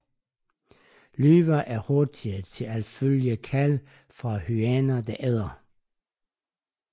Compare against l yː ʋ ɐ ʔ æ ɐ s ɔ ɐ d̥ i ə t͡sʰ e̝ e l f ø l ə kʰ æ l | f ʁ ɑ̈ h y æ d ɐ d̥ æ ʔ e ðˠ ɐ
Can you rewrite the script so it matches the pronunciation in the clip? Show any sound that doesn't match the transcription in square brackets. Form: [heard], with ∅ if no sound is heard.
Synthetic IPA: l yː ʋ ɐ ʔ æ ɐ [h] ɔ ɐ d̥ i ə t͡sʰ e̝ [æ] l f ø l ə kʰ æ l | f ʁ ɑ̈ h y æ [n] ɐ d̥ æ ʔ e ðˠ ɐ